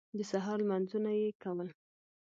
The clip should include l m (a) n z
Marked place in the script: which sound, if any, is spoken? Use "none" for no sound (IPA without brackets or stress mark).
a